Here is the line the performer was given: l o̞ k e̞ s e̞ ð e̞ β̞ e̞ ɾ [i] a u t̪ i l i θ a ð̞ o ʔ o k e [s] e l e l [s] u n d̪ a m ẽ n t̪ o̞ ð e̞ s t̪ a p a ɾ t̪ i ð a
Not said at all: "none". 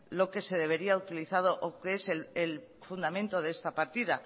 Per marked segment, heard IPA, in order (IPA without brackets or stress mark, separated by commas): i, s, f